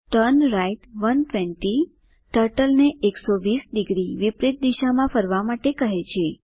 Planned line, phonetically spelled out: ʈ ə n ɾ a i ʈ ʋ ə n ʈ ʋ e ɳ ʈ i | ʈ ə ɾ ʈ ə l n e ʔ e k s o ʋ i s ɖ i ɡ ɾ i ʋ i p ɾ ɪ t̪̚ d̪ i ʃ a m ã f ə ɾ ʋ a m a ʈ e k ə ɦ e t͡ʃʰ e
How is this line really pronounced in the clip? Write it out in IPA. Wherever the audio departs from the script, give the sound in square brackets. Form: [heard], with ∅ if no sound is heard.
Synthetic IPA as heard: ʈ ə n ɾ a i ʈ ʋ ə n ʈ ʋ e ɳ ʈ i | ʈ ə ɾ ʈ ə l n e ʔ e k s o ʋ i s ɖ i ɡ ɾ i ʋ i p ɾ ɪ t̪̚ d̪ i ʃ a m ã f ə ɾ ʋ a m a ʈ e k ə ɦ e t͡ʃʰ e